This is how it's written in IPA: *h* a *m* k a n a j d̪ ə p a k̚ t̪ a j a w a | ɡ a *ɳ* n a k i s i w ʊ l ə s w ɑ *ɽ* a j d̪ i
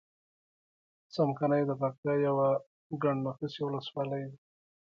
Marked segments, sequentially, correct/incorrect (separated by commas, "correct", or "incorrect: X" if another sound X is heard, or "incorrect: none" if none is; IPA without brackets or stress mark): incorrect: s, correct, correct, incorrect: l